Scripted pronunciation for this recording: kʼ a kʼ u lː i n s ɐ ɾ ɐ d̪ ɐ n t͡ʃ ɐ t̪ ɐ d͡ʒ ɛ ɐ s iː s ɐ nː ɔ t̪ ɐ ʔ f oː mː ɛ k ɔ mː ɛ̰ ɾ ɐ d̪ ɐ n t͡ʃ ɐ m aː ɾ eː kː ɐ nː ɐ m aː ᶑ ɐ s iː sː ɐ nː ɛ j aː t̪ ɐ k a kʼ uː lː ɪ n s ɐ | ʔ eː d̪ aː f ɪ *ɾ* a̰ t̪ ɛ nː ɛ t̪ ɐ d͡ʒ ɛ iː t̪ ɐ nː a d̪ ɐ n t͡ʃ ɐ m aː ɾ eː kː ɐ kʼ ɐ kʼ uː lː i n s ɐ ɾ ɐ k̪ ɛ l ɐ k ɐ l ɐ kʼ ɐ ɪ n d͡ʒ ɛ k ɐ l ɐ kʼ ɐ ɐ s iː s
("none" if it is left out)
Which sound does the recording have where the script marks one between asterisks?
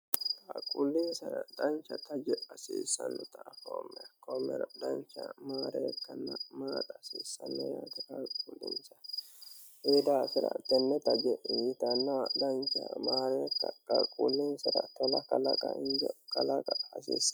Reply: ɾ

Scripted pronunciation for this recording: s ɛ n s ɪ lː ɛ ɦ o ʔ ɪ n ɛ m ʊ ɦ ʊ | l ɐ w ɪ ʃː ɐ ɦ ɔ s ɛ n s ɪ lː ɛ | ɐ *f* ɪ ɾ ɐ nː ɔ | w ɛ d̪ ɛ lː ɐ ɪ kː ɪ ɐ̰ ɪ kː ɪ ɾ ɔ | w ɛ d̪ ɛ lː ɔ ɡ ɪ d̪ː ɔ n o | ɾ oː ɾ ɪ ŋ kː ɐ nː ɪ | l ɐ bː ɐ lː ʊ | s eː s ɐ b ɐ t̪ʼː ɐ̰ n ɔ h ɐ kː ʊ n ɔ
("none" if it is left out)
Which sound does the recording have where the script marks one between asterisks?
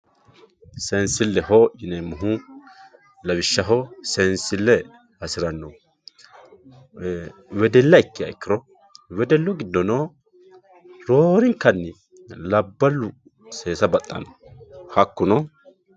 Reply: s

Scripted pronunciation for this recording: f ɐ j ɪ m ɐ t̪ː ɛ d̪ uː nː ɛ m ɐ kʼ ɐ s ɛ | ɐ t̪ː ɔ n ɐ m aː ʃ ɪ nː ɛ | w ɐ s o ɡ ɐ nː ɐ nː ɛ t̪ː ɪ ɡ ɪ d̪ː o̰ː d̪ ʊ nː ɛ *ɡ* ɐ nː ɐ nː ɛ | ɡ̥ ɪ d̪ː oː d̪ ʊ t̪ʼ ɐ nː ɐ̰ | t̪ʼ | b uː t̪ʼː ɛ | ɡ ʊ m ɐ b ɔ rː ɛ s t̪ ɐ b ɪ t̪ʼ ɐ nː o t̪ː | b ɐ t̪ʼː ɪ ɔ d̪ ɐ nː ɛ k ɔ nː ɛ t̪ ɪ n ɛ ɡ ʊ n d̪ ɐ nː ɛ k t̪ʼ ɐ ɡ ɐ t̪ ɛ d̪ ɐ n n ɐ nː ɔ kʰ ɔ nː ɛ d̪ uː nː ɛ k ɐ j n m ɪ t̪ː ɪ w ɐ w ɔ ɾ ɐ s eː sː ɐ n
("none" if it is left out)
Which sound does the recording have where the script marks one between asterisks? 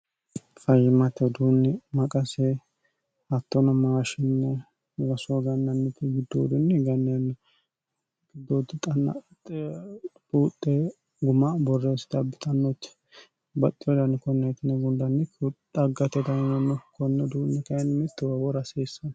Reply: ɡ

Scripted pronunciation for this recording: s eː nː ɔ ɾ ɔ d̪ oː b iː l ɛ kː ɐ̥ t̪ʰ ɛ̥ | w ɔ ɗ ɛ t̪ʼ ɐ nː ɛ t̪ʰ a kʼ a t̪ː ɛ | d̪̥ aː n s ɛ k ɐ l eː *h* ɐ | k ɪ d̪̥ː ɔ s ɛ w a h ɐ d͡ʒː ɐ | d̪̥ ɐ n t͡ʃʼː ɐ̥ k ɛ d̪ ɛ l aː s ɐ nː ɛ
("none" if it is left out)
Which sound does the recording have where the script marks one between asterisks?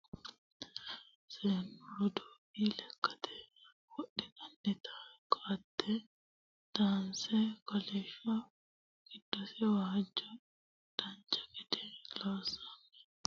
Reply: ʃ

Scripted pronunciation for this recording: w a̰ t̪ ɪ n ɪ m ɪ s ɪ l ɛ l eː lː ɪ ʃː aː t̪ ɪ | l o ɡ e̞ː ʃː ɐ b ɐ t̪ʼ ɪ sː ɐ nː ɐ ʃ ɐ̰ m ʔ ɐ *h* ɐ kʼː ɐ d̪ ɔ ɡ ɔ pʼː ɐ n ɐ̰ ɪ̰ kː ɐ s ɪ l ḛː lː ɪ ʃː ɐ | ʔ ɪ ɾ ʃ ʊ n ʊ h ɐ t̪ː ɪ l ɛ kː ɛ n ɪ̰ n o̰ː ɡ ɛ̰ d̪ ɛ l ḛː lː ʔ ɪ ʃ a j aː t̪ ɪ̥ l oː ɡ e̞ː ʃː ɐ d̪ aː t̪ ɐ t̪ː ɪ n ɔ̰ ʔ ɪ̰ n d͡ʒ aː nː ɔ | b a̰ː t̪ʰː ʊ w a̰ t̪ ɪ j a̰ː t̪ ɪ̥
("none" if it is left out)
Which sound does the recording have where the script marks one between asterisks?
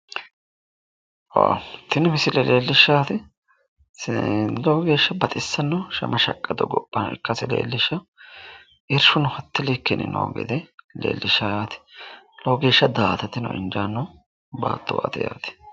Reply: ʃ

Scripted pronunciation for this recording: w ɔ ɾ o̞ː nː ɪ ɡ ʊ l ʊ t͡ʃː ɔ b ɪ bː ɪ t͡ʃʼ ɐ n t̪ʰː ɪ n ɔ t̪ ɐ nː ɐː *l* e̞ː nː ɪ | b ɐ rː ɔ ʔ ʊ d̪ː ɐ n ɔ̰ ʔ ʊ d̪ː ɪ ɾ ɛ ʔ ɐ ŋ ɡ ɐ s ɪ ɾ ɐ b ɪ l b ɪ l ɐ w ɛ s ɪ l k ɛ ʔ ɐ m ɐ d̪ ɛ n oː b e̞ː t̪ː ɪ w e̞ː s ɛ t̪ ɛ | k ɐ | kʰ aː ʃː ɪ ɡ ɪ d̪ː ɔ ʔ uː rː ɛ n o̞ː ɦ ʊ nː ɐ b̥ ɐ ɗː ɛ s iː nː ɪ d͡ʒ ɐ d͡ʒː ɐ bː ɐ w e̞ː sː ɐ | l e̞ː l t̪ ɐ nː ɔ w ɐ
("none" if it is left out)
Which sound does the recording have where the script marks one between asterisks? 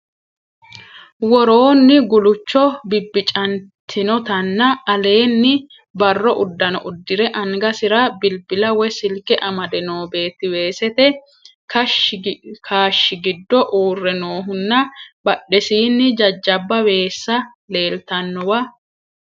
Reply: l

